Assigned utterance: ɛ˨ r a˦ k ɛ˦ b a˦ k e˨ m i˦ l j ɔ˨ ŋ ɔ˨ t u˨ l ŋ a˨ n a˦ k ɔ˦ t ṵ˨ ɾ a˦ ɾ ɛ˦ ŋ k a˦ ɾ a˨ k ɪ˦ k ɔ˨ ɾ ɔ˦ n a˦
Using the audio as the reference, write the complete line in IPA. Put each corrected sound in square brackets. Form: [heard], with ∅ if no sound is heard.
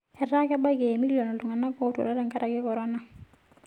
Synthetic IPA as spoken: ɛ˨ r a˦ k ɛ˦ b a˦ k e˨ m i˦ l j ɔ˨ [n] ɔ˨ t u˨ [∅] ŋ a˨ n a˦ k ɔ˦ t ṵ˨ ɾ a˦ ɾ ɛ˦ ŋ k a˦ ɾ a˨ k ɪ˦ k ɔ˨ ɾ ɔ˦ n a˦